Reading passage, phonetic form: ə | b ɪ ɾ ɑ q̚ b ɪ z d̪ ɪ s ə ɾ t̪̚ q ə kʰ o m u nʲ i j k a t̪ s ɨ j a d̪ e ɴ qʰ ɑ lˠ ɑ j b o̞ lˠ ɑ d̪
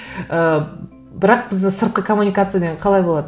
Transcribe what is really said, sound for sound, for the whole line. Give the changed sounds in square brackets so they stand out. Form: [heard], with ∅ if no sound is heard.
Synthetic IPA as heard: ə | b ɪ ɾ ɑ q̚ b ɪ z d̪ ɪ s ə ɾ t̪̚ q ə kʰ o m u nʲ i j k a t̪ s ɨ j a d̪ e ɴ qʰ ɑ lˠ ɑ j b o̞ lˠ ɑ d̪